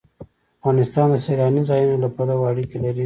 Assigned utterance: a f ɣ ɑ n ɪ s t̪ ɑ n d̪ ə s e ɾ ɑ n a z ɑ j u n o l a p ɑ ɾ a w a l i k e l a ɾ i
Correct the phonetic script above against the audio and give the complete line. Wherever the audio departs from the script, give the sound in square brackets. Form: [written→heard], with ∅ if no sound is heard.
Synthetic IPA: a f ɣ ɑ n ɪ s t̪ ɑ n d̪ ə s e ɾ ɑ n [a→i] z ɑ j u n o l a p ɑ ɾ a w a [l→ɽ] i k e l a ɾ i

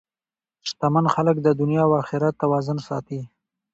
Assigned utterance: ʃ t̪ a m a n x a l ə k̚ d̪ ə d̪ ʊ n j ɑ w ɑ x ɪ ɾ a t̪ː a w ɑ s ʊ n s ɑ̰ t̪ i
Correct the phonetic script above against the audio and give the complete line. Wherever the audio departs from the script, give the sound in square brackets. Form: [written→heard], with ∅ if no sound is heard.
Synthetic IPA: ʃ t̪ a m a n x a l ə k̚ d̪ ə d̪ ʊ n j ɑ w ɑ x ɪ ɾ a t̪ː a w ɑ [s→z] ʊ n s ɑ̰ t̪ i

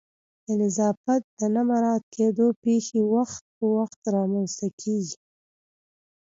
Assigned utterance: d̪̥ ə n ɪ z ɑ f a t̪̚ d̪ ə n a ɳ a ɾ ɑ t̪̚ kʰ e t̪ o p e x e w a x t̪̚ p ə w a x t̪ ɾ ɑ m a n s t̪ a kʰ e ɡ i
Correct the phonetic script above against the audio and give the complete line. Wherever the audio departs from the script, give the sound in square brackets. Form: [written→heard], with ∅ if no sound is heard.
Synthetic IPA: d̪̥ ə n ɪ z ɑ f a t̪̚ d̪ ə n a [ɳ→m] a ɾ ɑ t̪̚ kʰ e [t̪→d̪] o p e x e w a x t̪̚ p ə w a x t̪ ɾ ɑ m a n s t̪ a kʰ e ɡ i

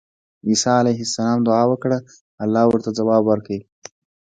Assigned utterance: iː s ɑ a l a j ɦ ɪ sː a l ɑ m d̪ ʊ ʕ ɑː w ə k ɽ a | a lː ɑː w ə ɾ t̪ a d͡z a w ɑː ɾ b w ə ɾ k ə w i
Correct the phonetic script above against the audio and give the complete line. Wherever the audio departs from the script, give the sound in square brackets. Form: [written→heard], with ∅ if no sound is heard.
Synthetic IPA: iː s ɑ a l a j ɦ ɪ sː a l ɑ m d̪ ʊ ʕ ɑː w ə k ɽ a | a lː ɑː w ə ɾ t̪ a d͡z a w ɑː [ɾ→∅] b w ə ɾ k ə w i

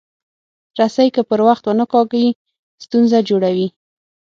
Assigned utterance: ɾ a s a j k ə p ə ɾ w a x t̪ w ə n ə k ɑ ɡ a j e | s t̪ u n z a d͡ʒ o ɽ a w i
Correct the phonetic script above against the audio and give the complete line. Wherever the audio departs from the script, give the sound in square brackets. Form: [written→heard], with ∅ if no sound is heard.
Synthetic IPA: ɾ a s a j k ə p ə ɾ w a x t̪ w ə n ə k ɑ ɡ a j [e→i] | s t̪ u n z a d͡ʒ o ɽ a w i

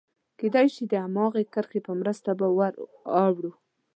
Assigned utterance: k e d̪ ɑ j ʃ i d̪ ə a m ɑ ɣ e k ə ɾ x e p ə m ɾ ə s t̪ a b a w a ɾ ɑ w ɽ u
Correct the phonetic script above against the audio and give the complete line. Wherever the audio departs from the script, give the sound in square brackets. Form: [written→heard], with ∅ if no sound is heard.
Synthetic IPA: k e d̪ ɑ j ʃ i d̪ ə a m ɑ ɣ e k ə ɾ x e p ə m ɾ ə s t̪ a b a w a ɾ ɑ w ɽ u

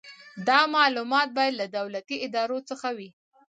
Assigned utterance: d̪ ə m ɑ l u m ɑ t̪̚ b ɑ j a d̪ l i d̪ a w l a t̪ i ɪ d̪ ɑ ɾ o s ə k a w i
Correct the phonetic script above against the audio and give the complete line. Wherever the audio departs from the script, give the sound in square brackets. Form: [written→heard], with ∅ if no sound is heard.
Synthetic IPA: d̪ [ə→ɑ] m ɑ l u m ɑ t̪̚ b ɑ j a d̪ l [i→a] d̪ a w l a t̪ i ɪ d̪ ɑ ɾ o [s→t͡s] ə [k→x] a w i

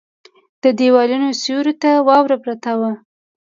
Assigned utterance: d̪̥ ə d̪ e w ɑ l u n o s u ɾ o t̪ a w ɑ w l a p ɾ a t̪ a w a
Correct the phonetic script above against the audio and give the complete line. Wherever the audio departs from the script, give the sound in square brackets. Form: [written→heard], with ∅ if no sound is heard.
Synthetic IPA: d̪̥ ə d̪ e w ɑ l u n o s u ɾ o t̪ a w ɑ w [l→ɾ] a p ɾ a t̪ a w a

